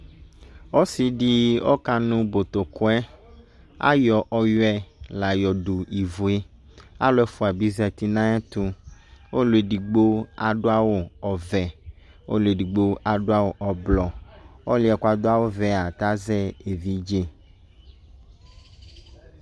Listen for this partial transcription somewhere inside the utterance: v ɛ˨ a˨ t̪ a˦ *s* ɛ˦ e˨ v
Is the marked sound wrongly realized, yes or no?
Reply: yes